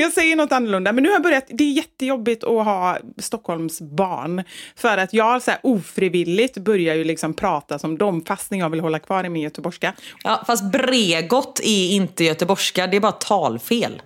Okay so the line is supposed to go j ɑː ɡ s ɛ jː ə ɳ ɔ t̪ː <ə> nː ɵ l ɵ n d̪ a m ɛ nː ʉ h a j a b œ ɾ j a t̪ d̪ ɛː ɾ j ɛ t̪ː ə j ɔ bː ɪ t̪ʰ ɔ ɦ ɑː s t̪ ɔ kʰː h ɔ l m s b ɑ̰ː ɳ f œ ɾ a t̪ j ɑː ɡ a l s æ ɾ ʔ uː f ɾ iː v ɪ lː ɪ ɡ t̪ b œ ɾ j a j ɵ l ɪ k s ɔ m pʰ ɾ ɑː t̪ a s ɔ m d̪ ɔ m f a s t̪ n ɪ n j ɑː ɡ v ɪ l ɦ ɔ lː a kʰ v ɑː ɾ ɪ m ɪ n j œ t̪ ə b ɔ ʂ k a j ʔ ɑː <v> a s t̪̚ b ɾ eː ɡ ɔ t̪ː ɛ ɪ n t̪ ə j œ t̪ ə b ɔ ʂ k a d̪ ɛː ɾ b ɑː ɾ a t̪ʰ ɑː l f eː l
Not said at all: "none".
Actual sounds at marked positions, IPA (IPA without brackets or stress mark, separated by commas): a, f